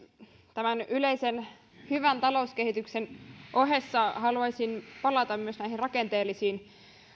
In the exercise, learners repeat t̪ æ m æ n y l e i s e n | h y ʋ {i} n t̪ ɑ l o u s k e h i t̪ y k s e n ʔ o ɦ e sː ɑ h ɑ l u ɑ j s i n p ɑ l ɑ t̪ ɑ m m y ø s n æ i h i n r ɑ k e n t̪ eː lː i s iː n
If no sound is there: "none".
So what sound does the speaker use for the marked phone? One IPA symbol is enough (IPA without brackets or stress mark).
æ